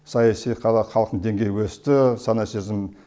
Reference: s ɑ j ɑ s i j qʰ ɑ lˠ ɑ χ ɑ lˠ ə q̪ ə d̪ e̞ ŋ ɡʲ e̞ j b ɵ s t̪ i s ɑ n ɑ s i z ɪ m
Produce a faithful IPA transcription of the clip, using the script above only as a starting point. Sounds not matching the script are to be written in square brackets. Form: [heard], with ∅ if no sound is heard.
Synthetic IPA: s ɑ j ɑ s i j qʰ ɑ lˠ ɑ χ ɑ lˠ ə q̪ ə d̪ e̞ ŋ ɡʲ e̞ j [w] ɵ s t̪ [ɪ] s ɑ n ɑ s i z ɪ m